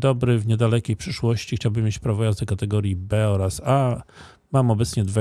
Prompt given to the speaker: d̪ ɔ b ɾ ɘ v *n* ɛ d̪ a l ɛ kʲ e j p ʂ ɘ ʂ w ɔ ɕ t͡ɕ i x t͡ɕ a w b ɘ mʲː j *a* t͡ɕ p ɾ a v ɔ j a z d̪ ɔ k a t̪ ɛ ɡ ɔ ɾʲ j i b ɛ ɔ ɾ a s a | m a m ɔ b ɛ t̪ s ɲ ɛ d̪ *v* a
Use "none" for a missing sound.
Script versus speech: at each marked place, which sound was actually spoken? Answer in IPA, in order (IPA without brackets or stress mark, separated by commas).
ɲ, e, v